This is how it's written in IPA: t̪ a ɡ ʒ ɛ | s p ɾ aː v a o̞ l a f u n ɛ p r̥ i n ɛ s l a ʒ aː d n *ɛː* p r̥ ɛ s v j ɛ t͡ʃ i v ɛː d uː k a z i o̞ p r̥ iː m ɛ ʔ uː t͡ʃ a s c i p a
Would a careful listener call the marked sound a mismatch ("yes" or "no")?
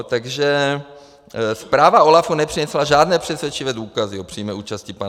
no